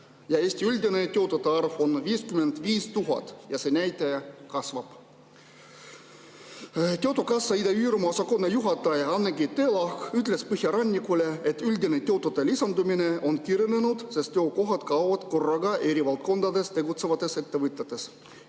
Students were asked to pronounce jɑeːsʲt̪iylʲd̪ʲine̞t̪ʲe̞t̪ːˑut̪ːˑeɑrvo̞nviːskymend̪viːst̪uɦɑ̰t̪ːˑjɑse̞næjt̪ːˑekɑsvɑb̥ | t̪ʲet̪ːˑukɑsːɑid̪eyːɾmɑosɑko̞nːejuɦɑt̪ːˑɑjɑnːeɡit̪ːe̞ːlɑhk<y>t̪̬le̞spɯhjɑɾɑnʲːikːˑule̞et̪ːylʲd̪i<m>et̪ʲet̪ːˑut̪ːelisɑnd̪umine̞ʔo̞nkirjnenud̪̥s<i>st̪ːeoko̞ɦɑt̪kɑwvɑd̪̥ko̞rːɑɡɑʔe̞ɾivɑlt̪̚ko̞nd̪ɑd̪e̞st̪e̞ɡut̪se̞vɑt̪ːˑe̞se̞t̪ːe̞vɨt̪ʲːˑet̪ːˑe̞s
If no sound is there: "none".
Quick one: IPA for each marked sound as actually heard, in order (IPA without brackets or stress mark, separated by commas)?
y, n, e